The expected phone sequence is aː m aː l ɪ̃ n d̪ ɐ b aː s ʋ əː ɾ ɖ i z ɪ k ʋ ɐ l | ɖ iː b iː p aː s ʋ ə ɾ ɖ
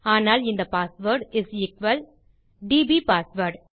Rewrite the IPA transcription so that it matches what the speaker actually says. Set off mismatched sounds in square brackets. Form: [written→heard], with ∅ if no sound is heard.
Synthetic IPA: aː [m→n] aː l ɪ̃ n d̪ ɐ [b→p] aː s ʋ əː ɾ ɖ [i→ɪ] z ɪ k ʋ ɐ l | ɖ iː b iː p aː s ʋ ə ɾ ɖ